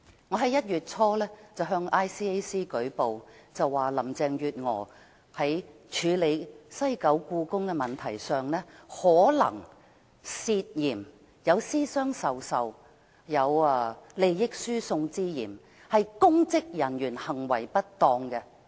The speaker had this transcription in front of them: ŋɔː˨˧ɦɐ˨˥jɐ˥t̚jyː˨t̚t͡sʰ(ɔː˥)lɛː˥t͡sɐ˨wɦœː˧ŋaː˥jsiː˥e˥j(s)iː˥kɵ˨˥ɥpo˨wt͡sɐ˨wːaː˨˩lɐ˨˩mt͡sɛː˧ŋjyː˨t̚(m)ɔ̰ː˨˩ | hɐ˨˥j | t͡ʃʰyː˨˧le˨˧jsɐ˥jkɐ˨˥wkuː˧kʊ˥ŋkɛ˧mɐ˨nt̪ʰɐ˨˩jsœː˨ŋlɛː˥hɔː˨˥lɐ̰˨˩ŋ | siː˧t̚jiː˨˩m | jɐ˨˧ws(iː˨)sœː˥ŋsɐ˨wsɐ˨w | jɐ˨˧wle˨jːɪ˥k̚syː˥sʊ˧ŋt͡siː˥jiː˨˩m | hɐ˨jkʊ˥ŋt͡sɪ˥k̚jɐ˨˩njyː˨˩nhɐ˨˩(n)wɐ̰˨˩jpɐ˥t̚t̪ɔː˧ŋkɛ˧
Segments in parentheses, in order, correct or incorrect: correct, correct, incorrect: ŋ, incorrect: iː˥, incorrect: ŋ

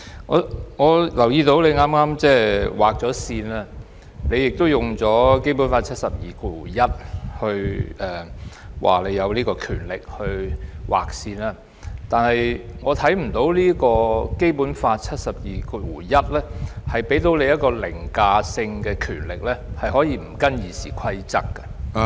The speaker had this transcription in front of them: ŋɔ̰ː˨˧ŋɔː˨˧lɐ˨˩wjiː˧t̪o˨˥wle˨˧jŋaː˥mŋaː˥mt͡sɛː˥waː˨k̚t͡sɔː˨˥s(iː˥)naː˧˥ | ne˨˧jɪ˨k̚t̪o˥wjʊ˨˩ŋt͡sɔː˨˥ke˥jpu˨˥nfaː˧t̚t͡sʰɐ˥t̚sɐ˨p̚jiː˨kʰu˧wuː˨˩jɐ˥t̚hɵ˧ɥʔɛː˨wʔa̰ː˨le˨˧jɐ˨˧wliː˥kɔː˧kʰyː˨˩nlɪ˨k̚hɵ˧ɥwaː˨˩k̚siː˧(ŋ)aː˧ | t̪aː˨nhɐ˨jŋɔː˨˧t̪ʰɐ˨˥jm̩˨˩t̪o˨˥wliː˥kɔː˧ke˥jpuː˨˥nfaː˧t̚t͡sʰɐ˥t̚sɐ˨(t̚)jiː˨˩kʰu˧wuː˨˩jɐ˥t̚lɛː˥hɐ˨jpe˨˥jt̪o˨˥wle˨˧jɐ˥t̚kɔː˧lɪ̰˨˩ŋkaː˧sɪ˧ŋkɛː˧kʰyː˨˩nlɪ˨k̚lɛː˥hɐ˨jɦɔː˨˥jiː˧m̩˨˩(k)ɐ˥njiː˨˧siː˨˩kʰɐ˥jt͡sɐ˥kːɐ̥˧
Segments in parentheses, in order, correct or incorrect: incorrect: iː˧, incorrect: n, incorrect: p̚, correct

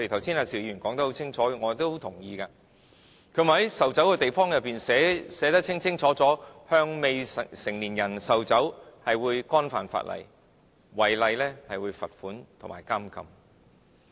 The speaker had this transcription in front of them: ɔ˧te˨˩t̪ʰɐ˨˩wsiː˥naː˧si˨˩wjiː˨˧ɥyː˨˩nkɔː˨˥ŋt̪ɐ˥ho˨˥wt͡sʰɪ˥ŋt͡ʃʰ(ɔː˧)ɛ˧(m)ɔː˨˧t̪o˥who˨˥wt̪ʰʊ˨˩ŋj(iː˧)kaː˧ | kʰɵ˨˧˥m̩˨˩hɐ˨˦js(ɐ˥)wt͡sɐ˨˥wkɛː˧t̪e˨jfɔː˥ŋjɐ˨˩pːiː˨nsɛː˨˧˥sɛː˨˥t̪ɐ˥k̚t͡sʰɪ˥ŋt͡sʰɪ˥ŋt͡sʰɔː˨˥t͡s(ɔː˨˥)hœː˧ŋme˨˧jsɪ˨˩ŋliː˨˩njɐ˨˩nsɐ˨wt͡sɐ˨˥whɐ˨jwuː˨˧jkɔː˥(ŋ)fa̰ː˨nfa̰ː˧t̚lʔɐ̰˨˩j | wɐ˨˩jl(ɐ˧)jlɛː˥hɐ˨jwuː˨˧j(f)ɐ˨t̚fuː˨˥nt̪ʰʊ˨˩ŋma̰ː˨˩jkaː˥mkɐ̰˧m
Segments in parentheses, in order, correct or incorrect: incorrect: ɔː˨˥, incorrect: ŋ, correct, incorrect: ɐ˨, correct, incorrect: n, correct, correct

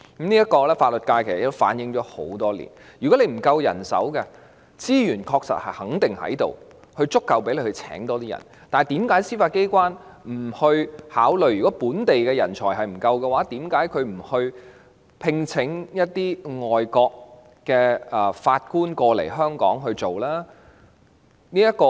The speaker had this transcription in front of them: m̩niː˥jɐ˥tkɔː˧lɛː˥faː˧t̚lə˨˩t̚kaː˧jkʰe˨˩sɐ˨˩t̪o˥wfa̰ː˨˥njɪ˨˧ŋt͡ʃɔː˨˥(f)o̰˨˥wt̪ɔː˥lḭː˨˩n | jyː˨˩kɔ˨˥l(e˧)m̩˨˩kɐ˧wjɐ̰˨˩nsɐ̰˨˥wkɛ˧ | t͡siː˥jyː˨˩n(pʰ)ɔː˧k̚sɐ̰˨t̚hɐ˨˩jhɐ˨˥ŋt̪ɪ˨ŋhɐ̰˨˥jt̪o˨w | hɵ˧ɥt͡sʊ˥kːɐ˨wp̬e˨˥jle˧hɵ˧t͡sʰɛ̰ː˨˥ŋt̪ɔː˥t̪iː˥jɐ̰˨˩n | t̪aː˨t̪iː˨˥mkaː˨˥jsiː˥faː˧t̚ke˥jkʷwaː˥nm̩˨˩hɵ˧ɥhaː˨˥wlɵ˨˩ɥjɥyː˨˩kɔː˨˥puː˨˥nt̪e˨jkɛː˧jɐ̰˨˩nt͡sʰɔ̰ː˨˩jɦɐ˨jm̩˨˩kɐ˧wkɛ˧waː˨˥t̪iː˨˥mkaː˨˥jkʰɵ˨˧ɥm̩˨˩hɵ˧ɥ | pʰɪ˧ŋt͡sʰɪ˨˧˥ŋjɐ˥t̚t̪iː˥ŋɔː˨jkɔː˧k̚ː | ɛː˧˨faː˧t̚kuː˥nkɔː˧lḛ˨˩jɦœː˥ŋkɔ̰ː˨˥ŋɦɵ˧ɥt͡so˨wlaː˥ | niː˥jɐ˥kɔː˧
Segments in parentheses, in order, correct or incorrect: incorrect: h, correct, incorrect: kʰ

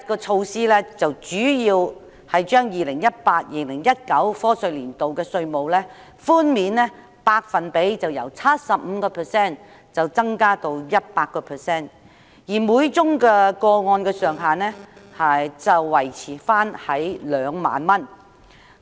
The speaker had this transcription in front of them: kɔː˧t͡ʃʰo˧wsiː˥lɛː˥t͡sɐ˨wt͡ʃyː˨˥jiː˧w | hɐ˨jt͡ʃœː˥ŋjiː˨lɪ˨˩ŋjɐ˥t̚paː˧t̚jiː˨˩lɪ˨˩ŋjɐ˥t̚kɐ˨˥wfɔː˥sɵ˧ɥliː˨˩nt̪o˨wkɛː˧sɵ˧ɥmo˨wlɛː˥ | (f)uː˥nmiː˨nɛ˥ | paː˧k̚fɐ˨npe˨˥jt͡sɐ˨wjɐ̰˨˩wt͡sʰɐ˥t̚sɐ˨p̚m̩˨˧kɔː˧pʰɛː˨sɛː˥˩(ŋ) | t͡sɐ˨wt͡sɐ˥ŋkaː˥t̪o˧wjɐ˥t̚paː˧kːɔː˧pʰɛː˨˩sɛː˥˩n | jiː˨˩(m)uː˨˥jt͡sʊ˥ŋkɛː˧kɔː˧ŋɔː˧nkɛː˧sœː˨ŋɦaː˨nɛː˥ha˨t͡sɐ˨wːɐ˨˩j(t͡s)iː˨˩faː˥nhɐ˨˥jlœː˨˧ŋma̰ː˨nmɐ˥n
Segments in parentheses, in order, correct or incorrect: correct, incorrect: n, correct, incorrect: t͡sʰ

